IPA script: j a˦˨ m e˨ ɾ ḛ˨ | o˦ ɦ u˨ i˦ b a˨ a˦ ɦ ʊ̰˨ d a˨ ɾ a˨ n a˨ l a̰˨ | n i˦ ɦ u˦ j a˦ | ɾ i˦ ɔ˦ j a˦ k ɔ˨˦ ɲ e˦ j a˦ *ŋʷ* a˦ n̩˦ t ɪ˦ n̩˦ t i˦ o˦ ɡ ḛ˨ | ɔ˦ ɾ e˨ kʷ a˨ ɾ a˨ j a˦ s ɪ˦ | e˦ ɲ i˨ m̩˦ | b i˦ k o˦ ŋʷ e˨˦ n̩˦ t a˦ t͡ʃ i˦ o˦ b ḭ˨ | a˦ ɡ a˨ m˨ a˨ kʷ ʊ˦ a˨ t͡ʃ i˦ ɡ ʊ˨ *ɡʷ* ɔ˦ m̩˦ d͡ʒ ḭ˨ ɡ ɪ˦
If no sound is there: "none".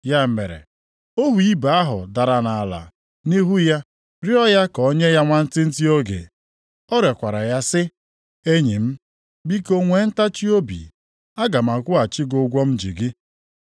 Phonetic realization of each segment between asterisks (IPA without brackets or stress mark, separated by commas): ŋʷ, ɡʷ